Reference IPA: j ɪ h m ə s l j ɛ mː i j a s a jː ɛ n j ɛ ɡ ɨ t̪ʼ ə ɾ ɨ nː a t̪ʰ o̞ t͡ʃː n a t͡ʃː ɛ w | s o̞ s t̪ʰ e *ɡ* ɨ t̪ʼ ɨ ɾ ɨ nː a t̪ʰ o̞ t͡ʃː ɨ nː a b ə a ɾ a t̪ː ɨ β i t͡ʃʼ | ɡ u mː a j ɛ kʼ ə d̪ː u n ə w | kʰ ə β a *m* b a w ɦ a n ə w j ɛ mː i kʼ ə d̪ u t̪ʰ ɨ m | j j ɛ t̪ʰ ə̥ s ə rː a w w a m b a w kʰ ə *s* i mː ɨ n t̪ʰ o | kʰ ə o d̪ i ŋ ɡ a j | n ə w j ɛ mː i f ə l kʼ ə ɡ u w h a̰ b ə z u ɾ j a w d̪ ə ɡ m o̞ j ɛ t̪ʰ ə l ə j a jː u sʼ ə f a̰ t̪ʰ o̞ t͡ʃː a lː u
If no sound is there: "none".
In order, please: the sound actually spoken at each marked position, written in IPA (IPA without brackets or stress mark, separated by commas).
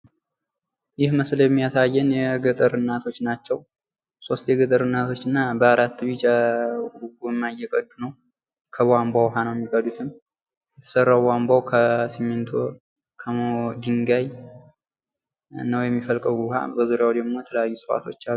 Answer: ɡ, m, s